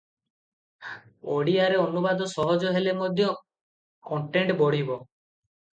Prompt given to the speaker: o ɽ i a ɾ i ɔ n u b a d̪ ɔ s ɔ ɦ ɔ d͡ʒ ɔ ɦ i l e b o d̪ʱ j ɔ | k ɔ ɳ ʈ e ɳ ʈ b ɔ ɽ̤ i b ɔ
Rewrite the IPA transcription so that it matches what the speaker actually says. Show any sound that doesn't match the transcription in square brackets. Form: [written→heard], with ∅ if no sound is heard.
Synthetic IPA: o ɽ i a ɾ [i→e] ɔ n u b a d̪ ɔ s ɔ ɦ ɔ d͡ʒ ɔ ɦ [i→e] l e [b→m] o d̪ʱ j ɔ | k ɔ ɳ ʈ e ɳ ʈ b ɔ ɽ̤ i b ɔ

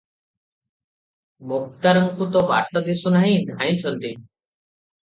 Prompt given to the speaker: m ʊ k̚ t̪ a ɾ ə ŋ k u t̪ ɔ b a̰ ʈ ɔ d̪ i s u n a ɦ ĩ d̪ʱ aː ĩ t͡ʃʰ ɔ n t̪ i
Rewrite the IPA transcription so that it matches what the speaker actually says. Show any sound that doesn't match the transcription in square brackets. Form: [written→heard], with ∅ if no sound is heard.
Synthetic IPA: m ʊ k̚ t̪ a ɾ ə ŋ k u t̪ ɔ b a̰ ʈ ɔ d̪ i s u n a ɦ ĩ d̪ʱ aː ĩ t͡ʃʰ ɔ n t̪ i

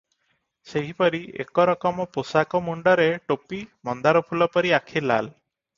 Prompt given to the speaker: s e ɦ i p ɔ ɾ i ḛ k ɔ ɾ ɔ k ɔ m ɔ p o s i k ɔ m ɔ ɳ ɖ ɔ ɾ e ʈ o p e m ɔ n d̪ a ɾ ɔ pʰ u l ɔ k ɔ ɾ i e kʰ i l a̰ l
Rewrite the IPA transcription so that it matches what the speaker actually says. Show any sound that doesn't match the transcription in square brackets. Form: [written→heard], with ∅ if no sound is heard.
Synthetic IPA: s e ɦ i p ɔ ɾ i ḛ k ɔ ɾ ɔ k ɔ m ɔ p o s [i→a] k ɔ m [ɔ→u] ɳ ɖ ɔ ɾ e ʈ o p [e→i] m ɔ n d̪ a ɾ ɔ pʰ u l ɔ [k→p] ɔ ɾ i [e→a] kʰ i l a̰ l

